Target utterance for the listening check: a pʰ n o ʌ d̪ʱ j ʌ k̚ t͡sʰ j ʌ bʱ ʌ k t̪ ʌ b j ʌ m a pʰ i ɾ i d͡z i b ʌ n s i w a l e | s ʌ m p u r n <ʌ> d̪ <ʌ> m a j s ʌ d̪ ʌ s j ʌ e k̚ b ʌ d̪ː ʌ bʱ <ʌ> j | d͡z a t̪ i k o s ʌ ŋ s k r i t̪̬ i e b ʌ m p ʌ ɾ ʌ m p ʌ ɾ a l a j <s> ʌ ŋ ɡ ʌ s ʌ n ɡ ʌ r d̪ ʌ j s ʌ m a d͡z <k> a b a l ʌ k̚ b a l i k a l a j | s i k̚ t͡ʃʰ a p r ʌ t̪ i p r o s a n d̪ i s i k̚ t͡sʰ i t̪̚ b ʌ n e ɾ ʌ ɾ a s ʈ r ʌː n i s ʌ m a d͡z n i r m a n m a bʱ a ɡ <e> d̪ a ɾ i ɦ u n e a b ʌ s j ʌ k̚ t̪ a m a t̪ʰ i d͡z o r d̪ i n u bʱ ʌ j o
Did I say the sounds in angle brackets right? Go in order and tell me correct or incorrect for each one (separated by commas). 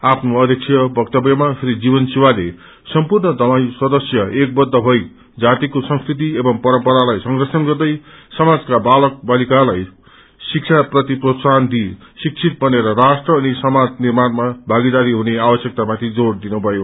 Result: correct, correct, correct, correct, correct, incorrect